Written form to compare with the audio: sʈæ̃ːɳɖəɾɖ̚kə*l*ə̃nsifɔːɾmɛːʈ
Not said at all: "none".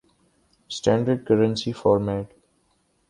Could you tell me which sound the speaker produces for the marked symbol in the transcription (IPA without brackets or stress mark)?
ɾ